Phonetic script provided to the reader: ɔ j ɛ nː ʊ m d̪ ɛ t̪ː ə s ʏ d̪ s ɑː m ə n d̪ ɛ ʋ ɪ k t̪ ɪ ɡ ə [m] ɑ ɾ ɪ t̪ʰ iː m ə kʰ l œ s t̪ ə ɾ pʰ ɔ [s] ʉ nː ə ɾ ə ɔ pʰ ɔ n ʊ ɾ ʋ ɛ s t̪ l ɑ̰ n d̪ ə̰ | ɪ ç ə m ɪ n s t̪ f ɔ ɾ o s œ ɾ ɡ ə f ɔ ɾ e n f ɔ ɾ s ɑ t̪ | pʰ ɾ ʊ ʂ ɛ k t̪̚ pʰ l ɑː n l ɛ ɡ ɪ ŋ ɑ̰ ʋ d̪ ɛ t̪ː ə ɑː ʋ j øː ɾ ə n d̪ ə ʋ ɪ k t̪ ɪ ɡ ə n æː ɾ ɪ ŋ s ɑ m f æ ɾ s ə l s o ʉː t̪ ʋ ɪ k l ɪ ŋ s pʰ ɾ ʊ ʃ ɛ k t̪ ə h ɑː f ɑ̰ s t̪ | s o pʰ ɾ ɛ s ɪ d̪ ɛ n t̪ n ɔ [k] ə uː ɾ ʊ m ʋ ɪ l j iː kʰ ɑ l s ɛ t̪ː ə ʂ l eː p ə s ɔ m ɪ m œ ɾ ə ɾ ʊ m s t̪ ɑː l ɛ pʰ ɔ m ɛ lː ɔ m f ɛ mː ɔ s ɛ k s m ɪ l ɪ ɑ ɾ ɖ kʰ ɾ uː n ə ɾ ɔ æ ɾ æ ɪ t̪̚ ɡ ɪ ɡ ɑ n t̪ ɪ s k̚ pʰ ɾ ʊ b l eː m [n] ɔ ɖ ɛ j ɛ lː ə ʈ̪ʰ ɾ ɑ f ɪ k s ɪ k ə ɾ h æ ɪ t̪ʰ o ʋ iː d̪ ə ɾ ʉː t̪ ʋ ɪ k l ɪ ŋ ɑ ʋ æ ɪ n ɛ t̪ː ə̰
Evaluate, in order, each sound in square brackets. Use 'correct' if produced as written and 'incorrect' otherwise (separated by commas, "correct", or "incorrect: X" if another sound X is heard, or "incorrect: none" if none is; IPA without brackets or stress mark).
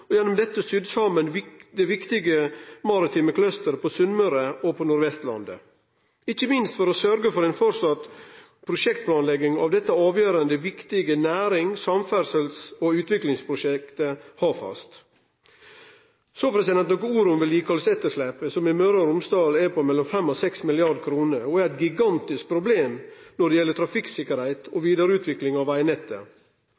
correct, correct, correct, correct